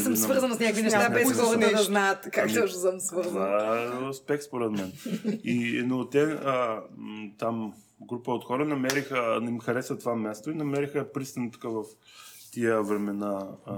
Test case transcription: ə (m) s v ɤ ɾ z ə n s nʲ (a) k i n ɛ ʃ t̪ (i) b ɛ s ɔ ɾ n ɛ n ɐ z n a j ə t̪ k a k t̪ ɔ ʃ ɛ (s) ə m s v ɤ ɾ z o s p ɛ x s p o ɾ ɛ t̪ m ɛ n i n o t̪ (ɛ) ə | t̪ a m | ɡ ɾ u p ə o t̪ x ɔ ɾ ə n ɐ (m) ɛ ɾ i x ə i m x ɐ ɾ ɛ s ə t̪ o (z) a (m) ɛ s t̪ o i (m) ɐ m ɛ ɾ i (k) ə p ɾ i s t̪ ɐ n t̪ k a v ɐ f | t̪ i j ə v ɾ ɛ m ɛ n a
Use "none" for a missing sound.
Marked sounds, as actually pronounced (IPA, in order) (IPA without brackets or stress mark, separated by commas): m, a, a, s, ɛ, m, v, m, n, x